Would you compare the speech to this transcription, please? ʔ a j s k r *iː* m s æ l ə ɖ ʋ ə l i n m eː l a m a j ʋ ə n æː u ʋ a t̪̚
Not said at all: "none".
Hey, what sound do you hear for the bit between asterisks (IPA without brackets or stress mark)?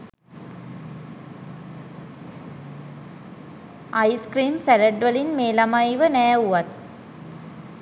iː